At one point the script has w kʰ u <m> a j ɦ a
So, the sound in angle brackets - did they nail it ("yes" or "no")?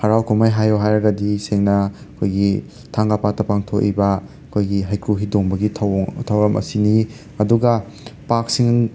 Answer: yes